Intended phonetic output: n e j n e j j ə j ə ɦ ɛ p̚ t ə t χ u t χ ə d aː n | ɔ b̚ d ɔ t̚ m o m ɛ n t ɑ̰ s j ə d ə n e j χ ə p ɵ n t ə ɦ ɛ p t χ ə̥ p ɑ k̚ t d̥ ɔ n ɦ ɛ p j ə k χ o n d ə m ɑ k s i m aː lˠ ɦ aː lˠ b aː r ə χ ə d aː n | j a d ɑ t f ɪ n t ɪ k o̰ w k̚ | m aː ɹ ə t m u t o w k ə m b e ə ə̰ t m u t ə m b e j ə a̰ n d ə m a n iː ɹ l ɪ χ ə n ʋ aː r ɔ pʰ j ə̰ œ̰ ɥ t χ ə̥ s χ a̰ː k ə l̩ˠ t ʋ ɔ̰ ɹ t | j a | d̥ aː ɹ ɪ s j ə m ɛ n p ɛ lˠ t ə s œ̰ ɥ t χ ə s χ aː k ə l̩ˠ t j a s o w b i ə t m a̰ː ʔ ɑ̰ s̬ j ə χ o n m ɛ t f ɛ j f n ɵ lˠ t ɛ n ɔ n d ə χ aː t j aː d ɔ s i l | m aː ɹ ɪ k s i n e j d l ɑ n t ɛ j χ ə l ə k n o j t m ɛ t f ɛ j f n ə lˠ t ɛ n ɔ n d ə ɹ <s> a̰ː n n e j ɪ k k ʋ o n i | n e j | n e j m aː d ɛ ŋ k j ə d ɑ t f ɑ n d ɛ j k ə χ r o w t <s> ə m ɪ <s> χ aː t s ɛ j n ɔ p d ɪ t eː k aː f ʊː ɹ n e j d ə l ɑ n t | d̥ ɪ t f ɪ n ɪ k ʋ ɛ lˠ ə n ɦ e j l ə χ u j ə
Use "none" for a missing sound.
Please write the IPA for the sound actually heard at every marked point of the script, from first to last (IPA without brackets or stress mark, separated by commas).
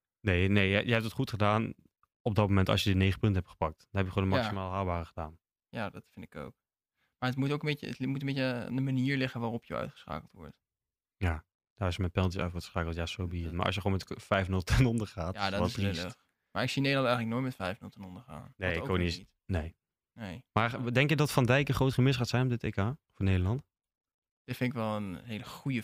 χ, χ, s